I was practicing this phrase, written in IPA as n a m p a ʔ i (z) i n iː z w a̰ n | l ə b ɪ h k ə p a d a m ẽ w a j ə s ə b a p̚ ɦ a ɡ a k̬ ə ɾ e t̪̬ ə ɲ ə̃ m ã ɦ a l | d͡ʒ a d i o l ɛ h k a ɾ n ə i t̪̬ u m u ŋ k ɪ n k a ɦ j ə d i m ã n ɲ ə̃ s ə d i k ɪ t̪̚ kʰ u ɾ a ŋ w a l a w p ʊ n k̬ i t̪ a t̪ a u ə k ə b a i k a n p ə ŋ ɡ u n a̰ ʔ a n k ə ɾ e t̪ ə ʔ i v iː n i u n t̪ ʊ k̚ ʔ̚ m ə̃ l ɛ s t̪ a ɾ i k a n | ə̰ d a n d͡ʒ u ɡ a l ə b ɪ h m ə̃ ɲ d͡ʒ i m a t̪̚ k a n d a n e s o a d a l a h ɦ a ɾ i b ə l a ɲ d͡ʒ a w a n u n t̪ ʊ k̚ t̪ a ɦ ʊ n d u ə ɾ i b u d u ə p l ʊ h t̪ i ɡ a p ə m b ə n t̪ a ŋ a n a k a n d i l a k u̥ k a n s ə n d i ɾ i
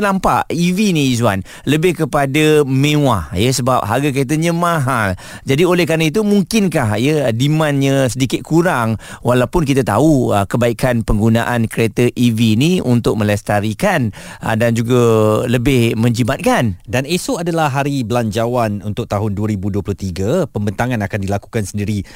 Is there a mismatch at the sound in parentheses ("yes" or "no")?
yes